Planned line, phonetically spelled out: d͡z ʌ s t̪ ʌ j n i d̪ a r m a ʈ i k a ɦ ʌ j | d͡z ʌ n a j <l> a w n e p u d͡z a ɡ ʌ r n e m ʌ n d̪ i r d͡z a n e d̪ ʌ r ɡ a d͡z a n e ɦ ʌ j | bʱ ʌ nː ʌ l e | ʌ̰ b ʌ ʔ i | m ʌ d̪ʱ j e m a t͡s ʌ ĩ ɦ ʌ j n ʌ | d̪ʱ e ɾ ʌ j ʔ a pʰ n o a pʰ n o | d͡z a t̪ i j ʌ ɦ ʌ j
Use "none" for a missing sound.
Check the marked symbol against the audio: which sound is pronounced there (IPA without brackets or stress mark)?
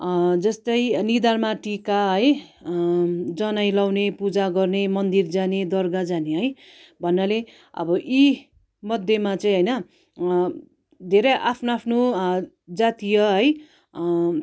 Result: l